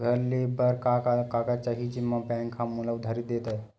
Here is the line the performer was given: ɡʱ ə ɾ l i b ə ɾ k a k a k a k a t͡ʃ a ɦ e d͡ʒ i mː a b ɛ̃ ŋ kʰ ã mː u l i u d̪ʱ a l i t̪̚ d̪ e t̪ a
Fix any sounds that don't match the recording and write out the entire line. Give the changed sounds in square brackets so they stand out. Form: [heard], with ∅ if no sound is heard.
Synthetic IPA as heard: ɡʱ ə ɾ l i b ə ɾ k a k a k a k a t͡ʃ a ɦ [i] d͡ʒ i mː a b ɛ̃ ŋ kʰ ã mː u l [a] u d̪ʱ a [ɾ] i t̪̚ d̪ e t̪ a